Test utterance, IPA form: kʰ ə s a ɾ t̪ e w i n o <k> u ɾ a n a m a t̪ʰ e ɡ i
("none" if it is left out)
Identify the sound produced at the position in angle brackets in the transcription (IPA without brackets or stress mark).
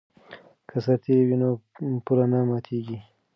p